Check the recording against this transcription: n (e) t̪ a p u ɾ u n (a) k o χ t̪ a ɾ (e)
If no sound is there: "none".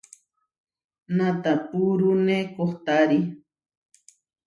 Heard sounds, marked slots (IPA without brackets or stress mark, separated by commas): a, e, i